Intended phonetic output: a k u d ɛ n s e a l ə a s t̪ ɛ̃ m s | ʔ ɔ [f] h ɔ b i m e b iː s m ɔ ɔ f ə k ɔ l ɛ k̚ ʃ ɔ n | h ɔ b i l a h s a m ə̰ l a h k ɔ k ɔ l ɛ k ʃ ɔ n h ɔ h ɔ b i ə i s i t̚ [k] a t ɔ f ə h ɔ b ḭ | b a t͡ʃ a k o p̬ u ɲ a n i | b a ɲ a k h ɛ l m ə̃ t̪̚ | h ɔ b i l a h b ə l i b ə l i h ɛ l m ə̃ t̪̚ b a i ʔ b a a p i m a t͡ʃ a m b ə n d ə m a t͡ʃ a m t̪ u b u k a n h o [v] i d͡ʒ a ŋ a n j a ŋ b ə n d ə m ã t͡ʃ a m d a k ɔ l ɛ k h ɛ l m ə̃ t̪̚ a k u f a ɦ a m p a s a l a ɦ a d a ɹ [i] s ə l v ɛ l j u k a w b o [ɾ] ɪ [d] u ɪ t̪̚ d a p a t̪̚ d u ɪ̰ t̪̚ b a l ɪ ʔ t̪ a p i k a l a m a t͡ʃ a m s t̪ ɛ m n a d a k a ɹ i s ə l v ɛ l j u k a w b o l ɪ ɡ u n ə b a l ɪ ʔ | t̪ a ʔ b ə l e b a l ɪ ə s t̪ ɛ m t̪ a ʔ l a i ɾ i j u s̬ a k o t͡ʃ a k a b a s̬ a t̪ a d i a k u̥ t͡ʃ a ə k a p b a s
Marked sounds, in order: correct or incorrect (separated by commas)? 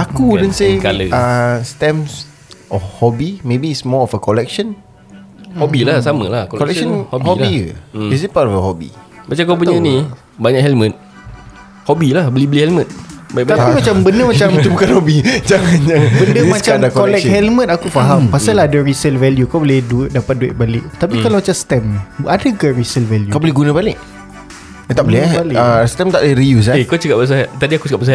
correct, incorrect, incorrect, correct, incorrect, correct